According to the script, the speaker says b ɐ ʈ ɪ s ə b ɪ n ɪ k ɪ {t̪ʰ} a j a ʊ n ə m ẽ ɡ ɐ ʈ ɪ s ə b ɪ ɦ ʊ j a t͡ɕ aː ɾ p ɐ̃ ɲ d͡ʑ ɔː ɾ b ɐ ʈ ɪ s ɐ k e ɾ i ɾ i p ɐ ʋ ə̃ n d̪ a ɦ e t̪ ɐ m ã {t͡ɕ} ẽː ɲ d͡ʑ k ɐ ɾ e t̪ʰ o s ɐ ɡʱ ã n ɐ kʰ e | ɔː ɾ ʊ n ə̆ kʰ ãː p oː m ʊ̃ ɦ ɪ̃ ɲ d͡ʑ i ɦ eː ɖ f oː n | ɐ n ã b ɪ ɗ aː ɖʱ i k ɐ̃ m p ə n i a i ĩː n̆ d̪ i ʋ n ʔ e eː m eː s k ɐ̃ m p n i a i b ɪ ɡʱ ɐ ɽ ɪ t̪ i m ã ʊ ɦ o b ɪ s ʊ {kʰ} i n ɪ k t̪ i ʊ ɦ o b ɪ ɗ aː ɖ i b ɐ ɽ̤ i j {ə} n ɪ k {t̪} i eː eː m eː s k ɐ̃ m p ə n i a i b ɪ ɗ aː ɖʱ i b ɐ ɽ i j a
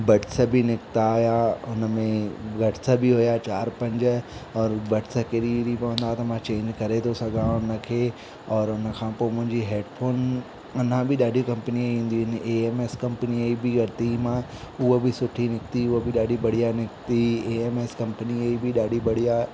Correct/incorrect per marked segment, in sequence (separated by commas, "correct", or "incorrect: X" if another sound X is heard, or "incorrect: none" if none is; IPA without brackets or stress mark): incorrect: t̪, correct, incorrect: ʈʰ, incorrect: a, correct